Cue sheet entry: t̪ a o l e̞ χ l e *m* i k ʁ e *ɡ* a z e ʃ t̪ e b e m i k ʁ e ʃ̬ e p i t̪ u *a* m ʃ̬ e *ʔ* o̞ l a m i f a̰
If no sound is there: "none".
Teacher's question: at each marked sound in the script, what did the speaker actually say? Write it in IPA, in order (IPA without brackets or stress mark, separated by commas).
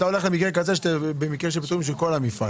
m, k, i, k